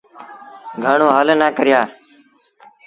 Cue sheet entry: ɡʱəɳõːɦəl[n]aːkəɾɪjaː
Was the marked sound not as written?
no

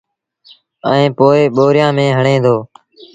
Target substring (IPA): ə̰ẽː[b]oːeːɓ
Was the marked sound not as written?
yes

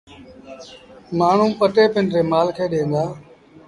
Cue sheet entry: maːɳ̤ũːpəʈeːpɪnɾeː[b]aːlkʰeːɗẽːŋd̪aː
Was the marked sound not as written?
yes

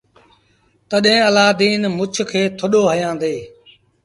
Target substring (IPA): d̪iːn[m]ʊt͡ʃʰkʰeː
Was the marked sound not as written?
no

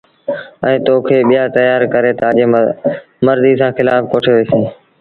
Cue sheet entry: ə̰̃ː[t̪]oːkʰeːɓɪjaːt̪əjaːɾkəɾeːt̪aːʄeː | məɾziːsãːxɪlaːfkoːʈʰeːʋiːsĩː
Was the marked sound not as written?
no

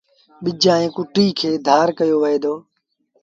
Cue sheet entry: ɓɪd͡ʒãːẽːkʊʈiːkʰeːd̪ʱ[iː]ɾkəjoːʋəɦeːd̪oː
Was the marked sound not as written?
yes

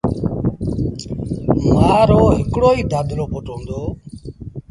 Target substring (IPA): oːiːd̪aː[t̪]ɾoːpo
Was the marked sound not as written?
yes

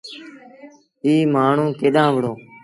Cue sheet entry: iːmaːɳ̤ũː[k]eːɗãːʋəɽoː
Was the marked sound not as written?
no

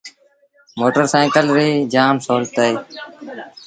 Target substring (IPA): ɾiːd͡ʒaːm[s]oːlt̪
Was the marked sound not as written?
no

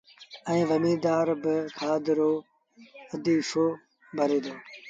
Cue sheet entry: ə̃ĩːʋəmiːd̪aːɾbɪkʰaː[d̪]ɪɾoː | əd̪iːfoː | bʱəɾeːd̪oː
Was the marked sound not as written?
no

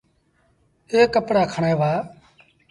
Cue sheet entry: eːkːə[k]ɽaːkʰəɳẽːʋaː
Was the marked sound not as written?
yes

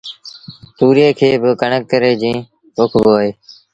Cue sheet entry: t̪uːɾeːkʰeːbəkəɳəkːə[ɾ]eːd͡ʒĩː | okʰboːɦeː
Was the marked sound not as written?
no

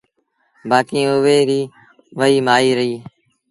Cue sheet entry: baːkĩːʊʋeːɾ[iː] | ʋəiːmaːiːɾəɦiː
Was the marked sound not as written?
no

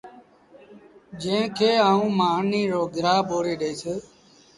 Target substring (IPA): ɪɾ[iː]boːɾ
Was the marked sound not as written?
yes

